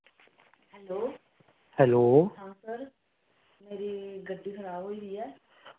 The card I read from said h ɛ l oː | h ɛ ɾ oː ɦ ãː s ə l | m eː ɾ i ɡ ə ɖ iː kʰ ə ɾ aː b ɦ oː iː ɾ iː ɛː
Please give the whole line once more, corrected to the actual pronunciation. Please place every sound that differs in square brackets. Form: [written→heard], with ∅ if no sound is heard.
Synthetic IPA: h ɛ l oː | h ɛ [ɾ→l] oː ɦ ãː s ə [l→ɾ] | m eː ɾ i ɡ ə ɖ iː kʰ ə ɾ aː b ɦ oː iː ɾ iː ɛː